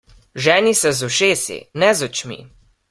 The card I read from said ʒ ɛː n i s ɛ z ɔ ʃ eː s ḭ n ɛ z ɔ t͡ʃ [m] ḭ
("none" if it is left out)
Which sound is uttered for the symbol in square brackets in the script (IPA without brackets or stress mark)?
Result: m